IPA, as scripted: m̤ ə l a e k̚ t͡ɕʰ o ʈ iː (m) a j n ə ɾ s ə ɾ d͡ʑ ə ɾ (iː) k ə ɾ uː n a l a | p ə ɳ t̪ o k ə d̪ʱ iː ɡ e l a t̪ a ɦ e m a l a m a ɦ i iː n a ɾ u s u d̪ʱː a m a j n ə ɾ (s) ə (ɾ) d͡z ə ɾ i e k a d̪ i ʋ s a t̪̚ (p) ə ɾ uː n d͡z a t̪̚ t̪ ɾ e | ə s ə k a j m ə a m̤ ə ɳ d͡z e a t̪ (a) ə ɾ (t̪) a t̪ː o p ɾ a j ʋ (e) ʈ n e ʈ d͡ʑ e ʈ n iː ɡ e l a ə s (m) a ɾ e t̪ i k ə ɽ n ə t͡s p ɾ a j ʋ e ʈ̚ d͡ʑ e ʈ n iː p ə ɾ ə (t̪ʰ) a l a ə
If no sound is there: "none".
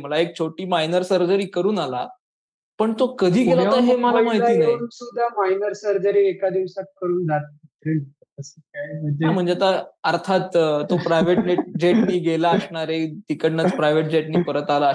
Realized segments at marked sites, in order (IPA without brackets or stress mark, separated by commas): m, iː, s, ɾ, k, a, t̪ʰ, e, ɳ, t̪